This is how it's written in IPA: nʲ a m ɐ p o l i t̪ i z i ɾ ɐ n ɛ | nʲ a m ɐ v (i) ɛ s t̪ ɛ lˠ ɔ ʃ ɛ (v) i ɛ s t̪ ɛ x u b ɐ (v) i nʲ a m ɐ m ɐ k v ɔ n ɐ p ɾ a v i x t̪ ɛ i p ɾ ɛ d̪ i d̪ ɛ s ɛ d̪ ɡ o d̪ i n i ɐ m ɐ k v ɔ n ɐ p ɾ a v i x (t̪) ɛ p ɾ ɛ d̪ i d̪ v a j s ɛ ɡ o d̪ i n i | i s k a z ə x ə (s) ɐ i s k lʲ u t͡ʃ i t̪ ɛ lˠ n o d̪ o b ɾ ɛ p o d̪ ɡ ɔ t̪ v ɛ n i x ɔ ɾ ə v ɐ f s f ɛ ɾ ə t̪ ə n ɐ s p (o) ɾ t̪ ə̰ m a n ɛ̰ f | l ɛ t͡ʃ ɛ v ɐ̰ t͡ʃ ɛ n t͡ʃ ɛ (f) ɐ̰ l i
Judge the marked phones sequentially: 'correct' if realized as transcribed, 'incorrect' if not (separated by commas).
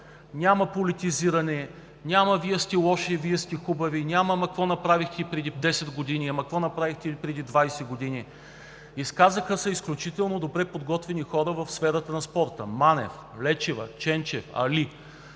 correct, correct, correct, correct, correct, incorrect, correct